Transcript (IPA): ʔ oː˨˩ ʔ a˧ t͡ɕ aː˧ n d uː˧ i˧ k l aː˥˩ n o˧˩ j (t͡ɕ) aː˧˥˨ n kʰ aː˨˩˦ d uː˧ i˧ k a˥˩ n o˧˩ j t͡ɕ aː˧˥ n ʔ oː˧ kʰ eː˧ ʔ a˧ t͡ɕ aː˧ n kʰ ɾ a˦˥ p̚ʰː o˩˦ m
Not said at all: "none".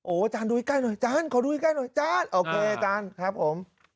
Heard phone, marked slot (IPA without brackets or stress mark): t͡ɕ